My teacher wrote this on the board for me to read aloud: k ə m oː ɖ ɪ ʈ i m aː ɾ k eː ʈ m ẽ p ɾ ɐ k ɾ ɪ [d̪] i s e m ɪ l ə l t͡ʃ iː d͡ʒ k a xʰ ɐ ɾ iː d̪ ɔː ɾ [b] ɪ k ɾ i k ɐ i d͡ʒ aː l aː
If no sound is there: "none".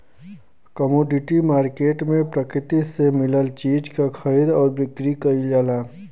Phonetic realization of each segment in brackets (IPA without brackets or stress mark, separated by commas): t̪, b